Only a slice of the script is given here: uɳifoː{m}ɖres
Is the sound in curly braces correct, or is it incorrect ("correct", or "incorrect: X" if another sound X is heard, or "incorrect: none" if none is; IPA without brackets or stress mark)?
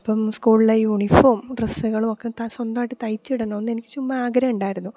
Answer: correct